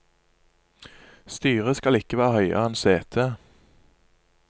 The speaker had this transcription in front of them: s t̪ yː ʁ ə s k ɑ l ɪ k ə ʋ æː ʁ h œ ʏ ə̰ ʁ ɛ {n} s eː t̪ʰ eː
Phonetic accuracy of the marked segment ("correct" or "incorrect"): correct